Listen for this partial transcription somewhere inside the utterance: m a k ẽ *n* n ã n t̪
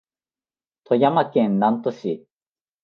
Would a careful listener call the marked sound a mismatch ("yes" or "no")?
no